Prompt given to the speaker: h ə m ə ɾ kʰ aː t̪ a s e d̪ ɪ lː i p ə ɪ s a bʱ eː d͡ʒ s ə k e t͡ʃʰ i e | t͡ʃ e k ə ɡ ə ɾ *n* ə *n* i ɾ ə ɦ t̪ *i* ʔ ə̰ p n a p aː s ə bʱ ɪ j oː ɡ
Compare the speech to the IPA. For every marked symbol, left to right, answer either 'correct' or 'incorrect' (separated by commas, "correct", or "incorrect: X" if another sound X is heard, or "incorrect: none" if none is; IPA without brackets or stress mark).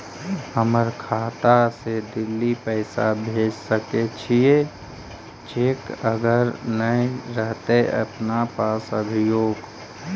correct, incorrect: none, incorrect: e